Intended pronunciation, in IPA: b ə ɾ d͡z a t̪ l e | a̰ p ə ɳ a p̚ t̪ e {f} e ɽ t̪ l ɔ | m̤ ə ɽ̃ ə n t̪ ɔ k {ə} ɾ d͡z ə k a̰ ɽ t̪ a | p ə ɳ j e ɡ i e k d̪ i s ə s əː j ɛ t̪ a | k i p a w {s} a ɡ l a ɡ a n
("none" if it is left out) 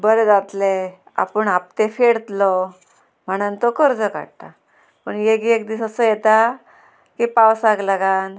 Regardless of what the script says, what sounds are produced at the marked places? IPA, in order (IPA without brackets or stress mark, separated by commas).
f, ə, s